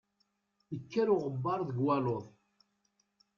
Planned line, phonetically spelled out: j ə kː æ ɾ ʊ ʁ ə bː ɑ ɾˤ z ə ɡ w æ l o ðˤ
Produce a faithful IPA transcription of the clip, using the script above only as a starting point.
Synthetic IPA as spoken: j ə kː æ ɾ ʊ ʁ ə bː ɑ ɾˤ ð ə ɡ w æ l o ðˤ

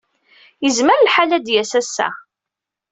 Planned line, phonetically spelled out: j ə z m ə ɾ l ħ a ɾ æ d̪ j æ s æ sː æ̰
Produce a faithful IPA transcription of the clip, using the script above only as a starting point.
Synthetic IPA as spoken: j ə z m ə ɾ l ħ a l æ d̪ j æ s æ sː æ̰

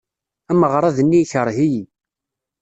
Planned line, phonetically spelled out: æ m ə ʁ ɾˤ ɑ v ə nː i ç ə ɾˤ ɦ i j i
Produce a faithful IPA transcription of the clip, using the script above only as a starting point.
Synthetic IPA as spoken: æ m ə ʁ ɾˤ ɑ ð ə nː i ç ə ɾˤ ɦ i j i

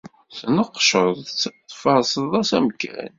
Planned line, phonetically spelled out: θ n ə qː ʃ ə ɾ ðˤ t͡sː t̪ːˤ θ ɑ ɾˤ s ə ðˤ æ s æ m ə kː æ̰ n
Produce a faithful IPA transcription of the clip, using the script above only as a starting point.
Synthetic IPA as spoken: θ n ə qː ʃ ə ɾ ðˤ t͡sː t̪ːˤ f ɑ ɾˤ s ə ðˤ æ s æ m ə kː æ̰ n

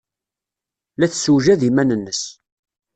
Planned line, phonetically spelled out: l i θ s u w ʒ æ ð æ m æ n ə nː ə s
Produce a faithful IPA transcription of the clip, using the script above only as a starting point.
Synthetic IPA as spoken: l æ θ s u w ʒ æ ð i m æ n ə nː ə s

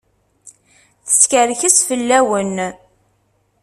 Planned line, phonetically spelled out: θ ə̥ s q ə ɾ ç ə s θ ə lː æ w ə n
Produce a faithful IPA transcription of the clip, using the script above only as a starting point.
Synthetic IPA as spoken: θ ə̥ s k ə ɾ ç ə s f ə lː æ w ə n

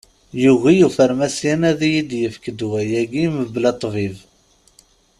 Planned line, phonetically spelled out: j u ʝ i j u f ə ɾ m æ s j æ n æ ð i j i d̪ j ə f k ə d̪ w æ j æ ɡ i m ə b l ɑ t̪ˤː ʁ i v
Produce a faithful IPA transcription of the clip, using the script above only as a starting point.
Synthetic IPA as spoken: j u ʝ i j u f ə ɾ m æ s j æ n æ ð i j i d̪ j ə f k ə d̪ w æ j æ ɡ i m ə b l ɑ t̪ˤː v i v

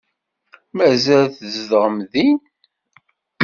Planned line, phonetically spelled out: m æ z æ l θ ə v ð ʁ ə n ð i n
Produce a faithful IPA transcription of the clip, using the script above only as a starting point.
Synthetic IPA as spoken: m æ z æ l θ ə z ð ʁ ə m ð i n

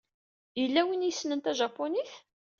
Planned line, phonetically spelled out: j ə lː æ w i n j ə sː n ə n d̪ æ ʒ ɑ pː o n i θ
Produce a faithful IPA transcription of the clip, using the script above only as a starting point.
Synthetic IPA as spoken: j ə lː æ w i n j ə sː n ə n t̪ æ ʒ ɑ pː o n i θ

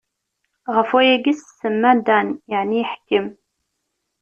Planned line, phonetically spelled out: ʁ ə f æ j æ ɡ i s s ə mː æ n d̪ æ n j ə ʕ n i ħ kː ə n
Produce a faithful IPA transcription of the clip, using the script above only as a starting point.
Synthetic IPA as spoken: ʁ ə f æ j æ ɡ i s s ə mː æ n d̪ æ n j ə ʕ n i ħ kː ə m

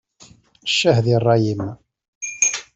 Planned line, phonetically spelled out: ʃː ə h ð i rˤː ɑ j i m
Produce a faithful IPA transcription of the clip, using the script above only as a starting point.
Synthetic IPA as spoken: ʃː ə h ð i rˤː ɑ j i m

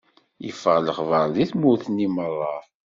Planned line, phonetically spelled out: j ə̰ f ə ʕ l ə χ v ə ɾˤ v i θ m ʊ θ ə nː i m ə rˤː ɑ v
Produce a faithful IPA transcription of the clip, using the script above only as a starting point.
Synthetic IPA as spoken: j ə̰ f ə ʁ l ə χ v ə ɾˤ ð i θ m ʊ θ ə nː i m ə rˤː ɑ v

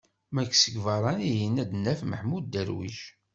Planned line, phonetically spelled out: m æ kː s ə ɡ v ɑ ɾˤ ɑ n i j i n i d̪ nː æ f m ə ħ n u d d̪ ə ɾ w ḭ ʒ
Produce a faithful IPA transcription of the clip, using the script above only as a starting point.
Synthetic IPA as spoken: m æ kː s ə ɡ v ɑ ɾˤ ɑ n i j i n æ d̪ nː æ f m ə ħ m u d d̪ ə ɾ w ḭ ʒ

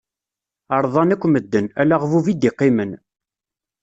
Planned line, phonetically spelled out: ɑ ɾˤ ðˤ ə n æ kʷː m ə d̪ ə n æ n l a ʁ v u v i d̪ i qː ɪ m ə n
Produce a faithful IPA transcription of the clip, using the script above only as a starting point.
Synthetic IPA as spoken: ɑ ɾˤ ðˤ ɑ n æ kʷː m ə d̪ː ə n æ l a ʁ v u v i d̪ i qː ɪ m ə n

